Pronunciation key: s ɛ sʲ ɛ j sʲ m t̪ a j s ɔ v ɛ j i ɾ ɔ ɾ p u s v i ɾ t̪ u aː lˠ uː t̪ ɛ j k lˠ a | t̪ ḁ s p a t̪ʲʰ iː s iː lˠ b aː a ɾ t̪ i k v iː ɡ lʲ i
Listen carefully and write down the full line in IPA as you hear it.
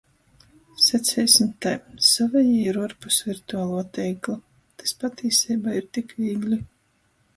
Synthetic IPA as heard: s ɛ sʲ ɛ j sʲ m t̪ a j s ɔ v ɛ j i ɾ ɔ ɾ p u s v i ɾ t̪ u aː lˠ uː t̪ ɛ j k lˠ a | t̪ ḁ s p a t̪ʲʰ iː s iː b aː i ɾ t̪ i k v iː ɡ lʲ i

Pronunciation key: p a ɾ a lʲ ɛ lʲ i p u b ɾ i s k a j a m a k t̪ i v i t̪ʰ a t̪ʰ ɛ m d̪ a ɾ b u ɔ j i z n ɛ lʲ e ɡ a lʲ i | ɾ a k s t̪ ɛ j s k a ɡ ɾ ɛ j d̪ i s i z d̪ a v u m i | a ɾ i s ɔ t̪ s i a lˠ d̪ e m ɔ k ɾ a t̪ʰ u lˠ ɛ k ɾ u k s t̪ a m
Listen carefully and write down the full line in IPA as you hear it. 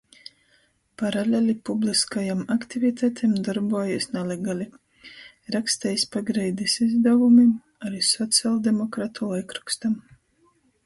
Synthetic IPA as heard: p a ɾ a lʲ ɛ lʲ i p u b l i s k a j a m a k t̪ i v i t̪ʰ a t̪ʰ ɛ m d̪ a ɾ b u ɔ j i s n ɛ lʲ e ɡ a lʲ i | ɾ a k s t̪ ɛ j s p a ɡ ɾ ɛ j d̪ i s i z d̪ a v u m i | a ɾ i s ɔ t̪ s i a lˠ d̪ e m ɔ k ɾ a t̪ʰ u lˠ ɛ k ɾ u k s t̪ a m

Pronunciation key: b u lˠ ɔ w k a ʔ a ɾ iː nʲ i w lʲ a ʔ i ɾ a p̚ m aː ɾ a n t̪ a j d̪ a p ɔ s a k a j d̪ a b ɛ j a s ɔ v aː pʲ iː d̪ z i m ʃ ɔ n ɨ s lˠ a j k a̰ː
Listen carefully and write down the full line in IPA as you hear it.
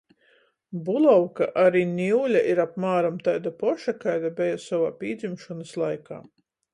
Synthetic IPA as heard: b u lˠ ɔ w k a ʔ a ɾ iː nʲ i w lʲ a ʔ i ɾ a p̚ m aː ɾ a m t̪ a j d̪ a p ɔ ʃ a k a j d̪ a b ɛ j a s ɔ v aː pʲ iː d̪ z i m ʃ ɔ n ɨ s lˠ a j k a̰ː

